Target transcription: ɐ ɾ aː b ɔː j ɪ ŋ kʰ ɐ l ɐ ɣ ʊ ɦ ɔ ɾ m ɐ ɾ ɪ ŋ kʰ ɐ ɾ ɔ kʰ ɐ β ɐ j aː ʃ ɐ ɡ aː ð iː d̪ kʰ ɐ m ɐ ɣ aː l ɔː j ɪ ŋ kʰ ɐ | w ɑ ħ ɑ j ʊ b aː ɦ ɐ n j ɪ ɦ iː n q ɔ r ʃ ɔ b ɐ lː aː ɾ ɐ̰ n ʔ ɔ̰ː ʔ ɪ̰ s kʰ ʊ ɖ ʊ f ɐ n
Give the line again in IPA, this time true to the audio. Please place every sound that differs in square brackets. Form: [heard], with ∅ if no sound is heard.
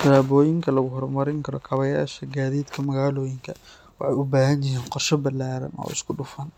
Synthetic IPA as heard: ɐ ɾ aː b ɔː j ɪ ŋ kʰ ɐ l ɐ ɣ ʊ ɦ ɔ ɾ m ɐ ɾ ɪ ŋ kʰ ɐ ɾ ɔ kʰ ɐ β ɐ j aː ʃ ɐ ɡ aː ð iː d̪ kʰ ɐ m ɐ ɣ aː l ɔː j ɪ ŋ kʰ ɐ | w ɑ ħ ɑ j ʊ b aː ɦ ɐ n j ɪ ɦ iː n q ɔ r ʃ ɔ b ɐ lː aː ɾ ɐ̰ n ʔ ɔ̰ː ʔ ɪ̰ s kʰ ʊ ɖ ʊ f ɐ n